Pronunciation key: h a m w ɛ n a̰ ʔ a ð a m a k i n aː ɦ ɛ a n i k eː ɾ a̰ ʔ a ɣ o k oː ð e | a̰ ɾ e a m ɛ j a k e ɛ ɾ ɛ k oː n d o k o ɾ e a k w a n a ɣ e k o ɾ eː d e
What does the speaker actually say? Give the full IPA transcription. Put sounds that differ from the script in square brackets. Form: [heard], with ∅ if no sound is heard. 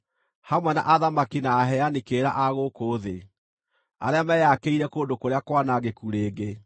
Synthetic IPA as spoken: h a m w ɛ n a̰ ʔ a ð a m a k i n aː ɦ ɛ a n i k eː ɾ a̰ ʔ a ɣ o k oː ð e | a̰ ɾ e a m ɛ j a k e [i] ɾ ɛ k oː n d o k o ɾ e a k w a n a ɣ e k [u] ɾ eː [ɡ] e